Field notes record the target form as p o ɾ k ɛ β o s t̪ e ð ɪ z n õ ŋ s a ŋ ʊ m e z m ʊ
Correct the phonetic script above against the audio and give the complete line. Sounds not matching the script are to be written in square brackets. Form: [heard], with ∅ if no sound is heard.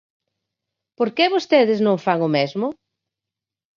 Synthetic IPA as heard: p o ɾ k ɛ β o s t̪ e ð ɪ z n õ ŋ [f] a ŋ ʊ m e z m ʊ